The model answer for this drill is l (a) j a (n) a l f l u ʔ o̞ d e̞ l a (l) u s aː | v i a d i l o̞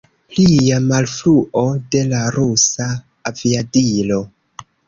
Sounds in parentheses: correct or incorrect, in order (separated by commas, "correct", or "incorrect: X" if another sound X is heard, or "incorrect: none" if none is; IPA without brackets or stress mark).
incorrect: i, incorrect: m, incorrect: ɾ